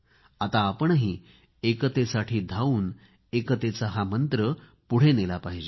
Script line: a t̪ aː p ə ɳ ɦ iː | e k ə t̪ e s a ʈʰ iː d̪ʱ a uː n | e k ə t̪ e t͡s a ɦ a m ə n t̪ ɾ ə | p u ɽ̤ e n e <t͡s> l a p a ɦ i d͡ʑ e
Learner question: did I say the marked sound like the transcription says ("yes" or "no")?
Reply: no